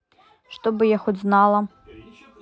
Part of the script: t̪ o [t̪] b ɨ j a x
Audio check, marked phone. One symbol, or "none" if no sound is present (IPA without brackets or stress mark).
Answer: none